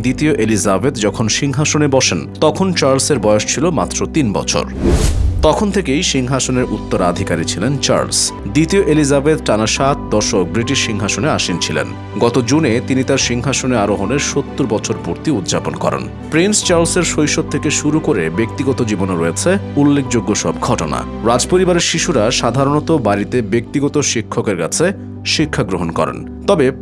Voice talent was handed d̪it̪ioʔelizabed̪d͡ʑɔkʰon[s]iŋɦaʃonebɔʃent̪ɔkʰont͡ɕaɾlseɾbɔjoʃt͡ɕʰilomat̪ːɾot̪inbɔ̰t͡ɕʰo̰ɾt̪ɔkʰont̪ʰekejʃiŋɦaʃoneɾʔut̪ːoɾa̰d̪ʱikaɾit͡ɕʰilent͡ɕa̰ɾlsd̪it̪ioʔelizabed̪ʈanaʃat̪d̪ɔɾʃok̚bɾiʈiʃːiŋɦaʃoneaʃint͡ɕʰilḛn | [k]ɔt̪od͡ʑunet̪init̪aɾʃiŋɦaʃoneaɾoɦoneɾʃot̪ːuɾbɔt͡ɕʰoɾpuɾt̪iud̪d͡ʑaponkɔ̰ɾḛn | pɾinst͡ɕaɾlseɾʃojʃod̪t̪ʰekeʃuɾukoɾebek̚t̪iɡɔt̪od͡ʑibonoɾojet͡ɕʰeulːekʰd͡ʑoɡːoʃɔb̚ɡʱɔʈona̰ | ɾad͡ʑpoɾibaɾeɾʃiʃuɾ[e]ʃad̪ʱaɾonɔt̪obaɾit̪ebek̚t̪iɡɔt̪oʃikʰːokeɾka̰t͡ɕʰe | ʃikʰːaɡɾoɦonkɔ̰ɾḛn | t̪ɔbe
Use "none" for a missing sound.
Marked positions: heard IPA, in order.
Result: ʃ, ɡ, a

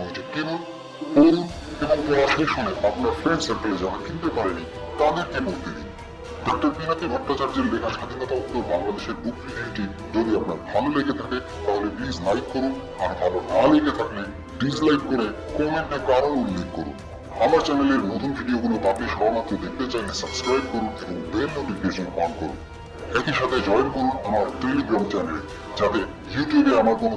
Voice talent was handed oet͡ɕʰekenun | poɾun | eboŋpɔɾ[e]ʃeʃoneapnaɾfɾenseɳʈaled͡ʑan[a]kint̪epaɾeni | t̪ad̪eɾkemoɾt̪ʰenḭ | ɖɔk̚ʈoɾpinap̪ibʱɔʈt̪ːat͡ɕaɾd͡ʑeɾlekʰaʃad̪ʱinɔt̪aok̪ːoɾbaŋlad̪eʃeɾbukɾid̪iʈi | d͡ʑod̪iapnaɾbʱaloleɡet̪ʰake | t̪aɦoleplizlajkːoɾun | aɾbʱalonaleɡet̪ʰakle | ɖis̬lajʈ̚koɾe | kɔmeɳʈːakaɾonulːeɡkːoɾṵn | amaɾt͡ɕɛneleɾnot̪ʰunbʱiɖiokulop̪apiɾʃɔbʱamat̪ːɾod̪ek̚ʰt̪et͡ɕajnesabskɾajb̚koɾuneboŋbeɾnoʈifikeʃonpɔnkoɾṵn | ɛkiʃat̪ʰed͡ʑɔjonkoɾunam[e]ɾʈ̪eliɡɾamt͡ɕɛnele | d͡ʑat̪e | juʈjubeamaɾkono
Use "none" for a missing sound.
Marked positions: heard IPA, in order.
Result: a, a, a

